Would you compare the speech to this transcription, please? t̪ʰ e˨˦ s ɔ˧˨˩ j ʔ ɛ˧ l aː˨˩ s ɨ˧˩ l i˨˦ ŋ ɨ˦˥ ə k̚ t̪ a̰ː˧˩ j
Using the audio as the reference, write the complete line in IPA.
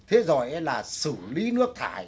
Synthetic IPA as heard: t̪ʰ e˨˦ z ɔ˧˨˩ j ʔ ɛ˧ l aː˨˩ s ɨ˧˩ l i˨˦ n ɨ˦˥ ə k̚ t̪ʰ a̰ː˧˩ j